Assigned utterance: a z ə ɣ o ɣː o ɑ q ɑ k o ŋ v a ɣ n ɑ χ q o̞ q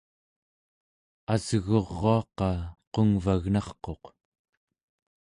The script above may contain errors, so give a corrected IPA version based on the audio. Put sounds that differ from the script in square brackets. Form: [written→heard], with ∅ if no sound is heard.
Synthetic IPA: a z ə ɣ o [ɣː→ʁː] o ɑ q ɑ [k→q] o ŋ v a ɣ n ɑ χ q o̞ q